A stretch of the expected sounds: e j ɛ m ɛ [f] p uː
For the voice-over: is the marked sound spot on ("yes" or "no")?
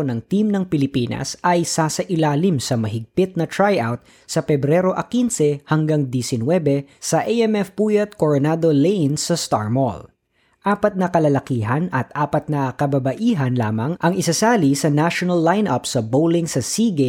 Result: yes